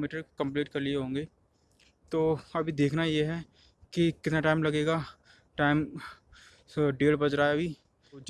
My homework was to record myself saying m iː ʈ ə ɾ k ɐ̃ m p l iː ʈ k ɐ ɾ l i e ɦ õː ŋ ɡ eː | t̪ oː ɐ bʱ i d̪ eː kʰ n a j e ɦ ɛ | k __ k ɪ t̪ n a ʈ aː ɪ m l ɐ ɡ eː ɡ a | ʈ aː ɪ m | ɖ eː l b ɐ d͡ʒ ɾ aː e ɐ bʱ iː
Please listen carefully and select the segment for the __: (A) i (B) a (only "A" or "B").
A